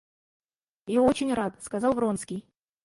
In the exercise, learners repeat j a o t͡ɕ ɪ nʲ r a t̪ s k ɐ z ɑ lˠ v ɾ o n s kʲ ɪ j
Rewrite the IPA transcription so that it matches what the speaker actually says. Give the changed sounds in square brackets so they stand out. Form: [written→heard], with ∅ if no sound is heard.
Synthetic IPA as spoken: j a o t͡ɕ ɪ nʲ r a t̪ s k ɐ z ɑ lˠ v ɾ o n s kʲ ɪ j